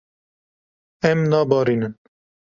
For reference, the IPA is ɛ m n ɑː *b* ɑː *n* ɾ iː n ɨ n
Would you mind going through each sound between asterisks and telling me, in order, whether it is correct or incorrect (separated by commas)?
correct, incorrect